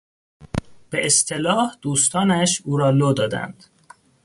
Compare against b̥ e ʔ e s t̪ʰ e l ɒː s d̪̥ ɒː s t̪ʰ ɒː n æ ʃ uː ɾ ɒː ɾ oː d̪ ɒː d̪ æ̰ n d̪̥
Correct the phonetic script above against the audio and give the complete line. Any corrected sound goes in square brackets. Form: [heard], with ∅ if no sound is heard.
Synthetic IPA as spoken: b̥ e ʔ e s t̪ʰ e l ɒː [h] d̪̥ [uː] s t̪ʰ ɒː n æ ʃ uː ɾ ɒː [l] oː d̪ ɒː d̪ æ̰ n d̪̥